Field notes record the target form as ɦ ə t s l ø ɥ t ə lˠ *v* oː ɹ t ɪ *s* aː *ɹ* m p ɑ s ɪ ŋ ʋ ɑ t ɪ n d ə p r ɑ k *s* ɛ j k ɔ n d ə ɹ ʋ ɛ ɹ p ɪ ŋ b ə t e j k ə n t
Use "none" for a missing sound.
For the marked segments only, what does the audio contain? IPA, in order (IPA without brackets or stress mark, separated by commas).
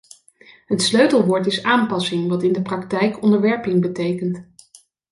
ʋ, s, none, t